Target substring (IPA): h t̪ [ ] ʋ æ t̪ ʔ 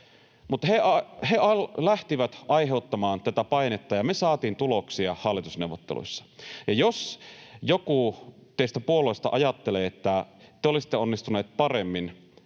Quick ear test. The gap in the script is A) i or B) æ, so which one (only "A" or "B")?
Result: A